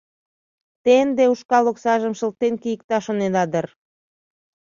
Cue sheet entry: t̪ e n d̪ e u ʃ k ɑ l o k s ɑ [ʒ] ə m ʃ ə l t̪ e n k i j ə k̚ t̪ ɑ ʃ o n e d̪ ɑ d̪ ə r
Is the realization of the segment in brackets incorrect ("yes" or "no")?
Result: no